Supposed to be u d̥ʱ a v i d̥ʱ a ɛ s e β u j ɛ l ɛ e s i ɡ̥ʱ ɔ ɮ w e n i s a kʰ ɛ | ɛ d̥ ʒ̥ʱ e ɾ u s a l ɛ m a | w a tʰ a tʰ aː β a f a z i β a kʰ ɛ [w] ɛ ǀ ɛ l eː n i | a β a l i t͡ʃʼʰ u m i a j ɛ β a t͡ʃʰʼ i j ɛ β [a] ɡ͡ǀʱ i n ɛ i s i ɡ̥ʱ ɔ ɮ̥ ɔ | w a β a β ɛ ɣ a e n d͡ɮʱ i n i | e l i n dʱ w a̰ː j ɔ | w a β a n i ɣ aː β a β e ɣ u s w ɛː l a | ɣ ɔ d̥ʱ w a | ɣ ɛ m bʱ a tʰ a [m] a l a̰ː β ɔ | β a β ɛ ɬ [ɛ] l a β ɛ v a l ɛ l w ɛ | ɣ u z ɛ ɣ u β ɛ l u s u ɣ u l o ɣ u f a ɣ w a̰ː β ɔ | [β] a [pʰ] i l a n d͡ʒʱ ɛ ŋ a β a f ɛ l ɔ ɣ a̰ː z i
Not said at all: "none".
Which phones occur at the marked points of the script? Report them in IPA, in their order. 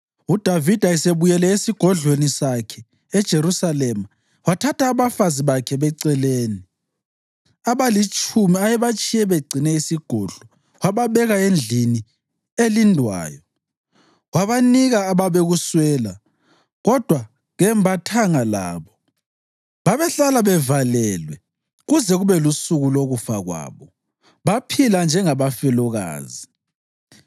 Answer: β, e, ŋ, a, β, pʰ

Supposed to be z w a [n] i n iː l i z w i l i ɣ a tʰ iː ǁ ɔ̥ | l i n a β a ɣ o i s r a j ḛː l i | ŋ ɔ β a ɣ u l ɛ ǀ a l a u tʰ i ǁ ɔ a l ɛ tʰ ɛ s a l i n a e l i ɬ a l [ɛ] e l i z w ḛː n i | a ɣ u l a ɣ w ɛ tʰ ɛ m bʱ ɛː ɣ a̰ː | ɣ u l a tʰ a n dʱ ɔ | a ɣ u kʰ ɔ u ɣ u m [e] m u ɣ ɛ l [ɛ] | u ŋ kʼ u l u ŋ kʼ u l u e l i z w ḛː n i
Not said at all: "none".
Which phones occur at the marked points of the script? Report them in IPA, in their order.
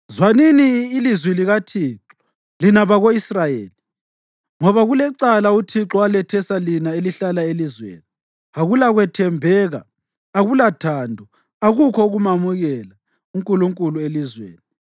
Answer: n, a, a, a

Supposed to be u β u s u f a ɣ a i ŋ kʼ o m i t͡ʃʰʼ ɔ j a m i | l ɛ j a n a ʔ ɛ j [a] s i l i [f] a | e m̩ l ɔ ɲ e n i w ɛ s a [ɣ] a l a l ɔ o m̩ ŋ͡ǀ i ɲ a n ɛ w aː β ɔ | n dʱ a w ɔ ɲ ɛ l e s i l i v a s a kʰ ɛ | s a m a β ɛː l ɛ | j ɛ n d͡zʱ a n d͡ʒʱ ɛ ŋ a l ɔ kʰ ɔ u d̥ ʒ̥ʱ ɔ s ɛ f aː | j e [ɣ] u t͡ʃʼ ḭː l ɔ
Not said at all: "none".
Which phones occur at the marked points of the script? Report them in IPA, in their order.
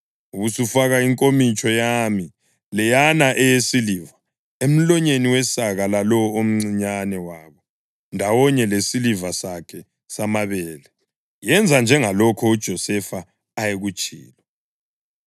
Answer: e, v, ɣ, ɣ

